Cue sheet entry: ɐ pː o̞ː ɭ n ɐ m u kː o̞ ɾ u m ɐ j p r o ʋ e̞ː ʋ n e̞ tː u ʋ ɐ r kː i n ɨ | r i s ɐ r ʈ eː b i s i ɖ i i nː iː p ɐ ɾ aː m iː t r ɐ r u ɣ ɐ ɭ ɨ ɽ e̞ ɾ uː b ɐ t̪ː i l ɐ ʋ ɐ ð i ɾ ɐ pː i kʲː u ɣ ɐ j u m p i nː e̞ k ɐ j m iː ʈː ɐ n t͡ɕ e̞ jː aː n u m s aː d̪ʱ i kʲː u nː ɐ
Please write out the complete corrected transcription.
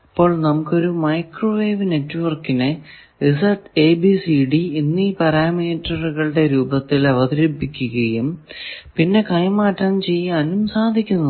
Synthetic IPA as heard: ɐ pː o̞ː ɭ n ɐ m u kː o̞ ɾ u m ɐ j k r o ʋ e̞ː ʋ n e̞ tː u ʋ ɐ r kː i n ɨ | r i s ɐ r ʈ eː b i s i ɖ i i nː iː p ɐ ɾ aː m iː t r ɐ r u ɣ ɐ ɭ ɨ ɽ e̞ ɾ uː b ɐ t̪ː i l ɐ ʋ ɐ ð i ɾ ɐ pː i kʲː u ɣ ɐ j u m p i nː e̞ k ɐ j m aː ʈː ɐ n t͡ɕ e̞ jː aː n u m s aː d̪ʱ i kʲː u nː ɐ

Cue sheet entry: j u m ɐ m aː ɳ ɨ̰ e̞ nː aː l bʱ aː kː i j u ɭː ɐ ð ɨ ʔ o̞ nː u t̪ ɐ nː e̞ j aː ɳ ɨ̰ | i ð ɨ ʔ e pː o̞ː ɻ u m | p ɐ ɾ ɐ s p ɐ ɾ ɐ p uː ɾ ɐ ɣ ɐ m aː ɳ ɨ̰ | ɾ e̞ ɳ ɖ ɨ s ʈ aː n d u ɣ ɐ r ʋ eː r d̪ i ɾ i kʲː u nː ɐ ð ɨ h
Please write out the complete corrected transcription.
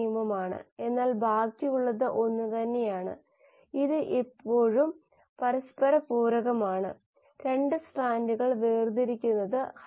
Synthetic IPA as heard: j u m ɐ m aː ɳ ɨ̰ e̞ nː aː l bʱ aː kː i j u ɭː ɐ ð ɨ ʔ o̞ nː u t̪ ɐ nː e̞ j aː ɳ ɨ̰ | i ð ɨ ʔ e pː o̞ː ɻ u m | p ɐ ɾ ɐ s p ɐ ɾ ɐ p uː ɾ ɐ ɣ ɐ m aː ɳ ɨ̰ | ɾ e̞ ɳ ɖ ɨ s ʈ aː n d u ɣ ɐ ɭ ʋ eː r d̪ i ɾ i kʲː u nː ɐ ð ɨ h

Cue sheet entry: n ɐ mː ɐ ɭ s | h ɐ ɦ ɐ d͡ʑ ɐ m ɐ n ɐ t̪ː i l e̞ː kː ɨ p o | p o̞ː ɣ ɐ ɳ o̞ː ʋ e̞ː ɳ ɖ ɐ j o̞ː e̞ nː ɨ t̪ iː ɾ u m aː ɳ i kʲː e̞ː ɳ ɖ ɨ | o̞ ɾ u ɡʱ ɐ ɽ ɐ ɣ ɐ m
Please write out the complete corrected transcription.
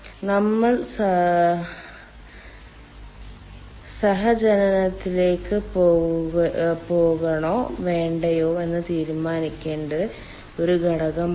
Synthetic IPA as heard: n ɐ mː ɐ ɭ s | s ɐ ɦ ɐ d͡ʑ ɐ n ɐ n ɐ t̪ː i l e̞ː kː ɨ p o | p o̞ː ɣ ɐ ɳ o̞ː ʋ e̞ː ɳ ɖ ɐ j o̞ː e̞ nː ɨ t̪ iː ɾ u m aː n i kʲː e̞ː ɳ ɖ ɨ | o̞ ɾ u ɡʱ ɐ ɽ ɐ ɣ ɐ m

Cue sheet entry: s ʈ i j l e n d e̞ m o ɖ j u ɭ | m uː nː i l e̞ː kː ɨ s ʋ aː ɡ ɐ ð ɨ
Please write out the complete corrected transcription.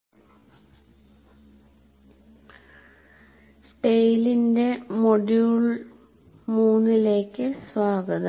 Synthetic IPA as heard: s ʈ e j l i n d e̞ m o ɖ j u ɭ | m uː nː i l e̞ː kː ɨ s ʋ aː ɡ ɐ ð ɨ

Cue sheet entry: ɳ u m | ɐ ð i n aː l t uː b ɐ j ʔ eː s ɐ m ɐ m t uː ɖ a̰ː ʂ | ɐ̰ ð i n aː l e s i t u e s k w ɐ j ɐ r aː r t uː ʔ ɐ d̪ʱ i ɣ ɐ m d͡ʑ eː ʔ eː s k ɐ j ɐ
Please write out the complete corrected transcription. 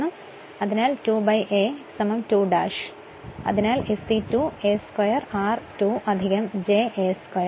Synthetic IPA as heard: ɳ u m | ɐ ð i n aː l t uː b ɐ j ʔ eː s ɐ m ɐ m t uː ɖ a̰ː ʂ | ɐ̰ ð i n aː l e s i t u e s k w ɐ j ɐ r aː r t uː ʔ ɐ d̪ʱ i ɣ ɐ m d͡ʑ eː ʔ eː s k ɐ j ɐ

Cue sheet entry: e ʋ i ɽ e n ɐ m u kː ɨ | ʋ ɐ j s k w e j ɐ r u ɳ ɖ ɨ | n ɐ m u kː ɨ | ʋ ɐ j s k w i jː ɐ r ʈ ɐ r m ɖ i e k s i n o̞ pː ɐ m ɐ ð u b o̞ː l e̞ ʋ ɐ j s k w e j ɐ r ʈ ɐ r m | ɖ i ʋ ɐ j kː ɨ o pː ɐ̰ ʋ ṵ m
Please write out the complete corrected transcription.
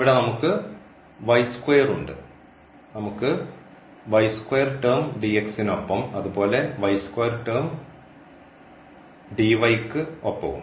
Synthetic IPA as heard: i ʋ i ɽ e n ɐ m u kː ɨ | ʋ ɐ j s k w e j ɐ r u ɳ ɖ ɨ | n ɐ m u kː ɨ | ʋ ɐ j s k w e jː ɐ r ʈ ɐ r m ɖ i e k s i n o̞ pː ɐ m ɐ ð u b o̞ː l e̞ ʋ ɐ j s k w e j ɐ r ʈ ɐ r m | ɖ i ʋ ɐ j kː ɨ o pː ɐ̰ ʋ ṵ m

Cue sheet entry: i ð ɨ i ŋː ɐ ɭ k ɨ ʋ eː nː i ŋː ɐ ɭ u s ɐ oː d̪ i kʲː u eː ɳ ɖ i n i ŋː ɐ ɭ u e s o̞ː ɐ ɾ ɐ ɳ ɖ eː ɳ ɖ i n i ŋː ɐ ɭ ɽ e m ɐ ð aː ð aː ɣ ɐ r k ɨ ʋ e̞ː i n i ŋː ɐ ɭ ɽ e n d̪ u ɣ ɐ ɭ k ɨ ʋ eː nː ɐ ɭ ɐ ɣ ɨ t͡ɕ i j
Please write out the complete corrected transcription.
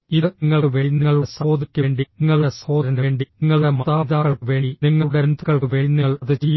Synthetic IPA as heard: i ð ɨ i ŋː ɐ ɭ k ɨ ʋ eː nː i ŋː ɐ ɭ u s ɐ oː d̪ i kʲː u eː ɳ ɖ i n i ŋː ɐ ɭ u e s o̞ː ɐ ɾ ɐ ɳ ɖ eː ɳ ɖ i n i ŋː ɐ ɭ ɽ e m ɐ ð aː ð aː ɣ ɐ ɭ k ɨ ʋ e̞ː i n i ŋː ɐ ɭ ɽ e n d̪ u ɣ ɐ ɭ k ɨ ʋ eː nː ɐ ɭ ɐ ð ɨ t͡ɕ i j

